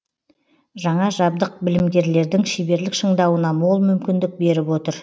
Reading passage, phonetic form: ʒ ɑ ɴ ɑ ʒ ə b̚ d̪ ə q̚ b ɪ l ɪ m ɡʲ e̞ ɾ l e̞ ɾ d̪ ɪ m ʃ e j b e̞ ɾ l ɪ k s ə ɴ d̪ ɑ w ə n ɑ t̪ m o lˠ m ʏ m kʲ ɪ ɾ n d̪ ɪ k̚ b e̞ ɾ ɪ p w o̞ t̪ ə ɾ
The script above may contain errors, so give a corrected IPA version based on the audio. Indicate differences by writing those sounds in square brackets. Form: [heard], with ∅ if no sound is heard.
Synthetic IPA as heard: ʒ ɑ ɴ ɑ ʒ [ɑ] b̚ d̪ ə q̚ b ɪ l ɪ m ɡʲ e̞ ɾ l e̞ ɾ d̪ ɪ [ŋ] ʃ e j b e̞ ɾ l ɪ k [ʃ] ə ɴ d̪ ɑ w ə n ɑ [∅] m o lˠ m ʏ m kʲ ɪ [∅] n d̪ ɪ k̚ b e̞ ɾ ɪ p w o̞ t̪ ə ɾ